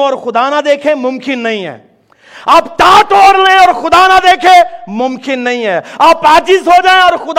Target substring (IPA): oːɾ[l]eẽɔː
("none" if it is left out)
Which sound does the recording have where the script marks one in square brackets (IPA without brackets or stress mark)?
l